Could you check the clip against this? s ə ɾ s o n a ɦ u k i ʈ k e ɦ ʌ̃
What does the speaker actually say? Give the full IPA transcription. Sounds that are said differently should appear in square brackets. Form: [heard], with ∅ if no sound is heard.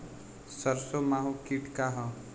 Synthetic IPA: s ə ɾ s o [m] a ɦ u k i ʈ k [a] ɦ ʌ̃